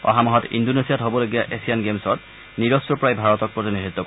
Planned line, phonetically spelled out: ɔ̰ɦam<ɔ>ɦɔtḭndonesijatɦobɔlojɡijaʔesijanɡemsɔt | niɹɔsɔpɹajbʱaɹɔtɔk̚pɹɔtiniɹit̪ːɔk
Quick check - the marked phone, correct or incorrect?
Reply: correct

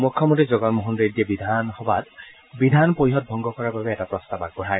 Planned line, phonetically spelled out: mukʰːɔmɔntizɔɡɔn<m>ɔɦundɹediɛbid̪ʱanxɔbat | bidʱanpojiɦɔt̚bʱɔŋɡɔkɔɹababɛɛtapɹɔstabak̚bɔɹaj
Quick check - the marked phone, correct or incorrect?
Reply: correct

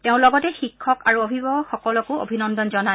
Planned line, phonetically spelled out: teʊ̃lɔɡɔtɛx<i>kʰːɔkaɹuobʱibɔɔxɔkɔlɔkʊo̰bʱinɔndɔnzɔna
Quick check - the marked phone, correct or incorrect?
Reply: correct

